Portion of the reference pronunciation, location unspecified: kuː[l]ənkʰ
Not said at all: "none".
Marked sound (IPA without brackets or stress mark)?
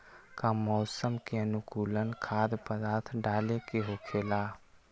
l